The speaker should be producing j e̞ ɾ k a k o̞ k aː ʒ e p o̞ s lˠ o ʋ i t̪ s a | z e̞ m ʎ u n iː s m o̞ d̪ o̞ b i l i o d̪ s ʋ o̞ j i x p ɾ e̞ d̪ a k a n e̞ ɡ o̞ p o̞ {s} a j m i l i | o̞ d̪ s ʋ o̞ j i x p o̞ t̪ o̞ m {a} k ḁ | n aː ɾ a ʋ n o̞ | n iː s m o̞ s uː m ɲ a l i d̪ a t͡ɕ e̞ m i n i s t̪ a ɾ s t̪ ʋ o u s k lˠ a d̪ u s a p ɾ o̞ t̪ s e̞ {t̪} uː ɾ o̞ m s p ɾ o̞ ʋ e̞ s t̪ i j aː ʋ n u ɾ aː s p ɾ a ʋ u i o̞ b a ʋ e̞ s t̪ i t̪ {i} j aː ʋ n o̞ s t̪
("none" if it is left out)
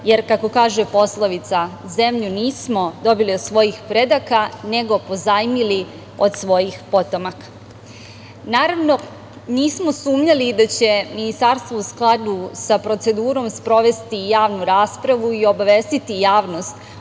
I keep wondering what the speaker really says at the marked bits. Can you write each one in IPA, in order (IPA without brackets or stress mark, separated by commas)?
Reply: z, a, d̪, i